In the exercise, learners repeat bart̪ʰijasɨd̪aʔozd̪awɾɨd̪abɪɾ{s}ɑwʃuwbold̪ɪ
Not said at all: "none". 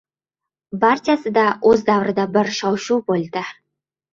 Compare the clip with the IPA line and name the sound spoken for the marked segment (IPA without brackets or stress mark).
ʃ